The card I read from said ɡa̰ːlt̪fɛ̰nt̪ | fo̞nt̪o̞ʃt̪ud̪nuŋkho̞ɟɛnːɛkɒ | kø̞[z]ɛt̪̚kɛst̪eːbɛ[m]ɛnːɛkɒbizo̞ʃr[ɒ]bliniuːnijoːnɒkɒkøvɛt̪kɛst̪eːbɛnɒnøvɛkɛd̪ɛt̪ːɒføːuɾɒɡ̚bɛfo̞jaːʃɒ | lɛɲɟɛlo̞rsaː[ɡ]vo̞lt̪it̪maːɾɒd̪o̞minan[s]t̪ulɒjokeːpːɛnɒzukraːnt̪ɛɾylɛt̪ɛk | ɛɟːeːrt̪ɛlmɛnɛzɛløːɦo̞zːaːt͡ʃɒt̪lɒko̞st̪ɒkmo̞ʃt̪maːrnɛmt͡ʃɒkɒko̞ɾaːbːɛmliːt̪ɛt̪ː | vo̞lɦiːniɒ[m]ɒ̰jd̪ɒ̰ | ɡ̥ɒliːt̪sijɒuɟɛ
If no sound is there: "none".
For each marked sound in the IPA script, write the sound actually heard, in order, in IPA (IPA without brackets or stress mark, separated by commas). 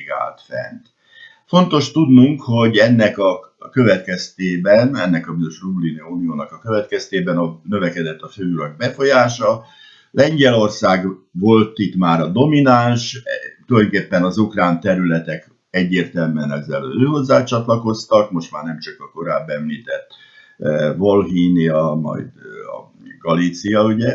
v, n, u, ɡ, ʃ, m